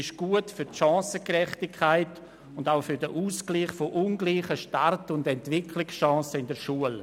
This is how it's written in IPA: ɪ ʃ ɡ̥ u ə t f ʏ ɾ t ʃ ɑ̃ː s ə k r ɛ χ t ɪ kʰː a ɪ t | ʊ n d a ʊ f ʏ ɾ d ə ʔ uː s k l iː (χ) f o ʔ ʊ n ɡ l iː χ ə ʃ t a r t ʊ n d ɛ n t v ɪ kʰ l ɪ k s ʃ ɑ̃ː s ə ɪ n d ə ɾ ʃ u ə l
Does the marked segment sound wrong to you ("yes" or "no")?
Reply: no